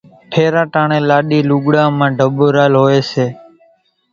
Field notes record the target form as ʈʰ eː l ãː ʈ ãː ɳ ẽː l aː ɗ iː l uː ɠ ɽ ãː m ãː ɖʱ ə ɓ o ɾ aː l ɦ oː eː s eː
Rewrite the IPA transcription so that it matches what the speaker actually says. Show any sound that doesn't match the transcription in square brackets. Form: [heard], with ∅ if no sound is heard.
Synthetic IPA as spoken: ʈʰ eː [ɾ] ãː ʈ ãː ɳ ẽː l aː ɗ iː l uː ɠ ɽ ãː m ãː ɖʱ ə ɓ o ɾ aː l ɦ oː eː s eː